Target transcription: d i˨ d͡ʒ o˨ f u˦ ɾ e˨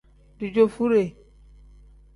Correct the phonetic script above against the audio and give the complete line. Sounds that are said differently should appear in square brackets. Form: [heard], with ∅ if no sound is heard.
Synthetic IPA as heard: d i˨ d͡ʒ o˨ f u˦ ɾ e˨